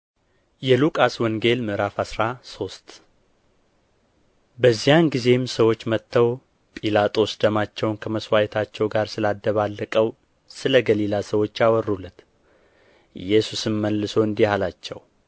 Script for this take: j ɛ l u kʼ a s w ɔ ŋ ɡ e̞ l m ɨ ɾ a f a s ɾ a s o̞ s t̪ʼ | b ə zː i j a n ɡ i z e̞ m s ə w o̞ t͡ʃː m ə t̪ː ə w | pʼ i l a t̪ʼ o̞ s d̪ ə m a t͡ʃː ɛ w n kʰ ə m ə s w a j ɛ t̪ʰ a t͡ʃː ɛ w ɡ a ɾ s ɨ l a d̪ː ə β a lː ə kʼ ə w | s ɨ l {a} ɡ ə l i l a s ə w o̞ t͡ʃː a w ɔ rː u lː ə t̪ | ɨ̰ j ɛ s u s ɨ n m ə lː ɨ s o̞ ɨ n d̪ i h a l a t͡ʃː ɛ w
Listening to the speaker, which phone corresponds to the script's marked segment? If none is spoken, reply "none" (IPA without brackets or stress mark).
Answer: ə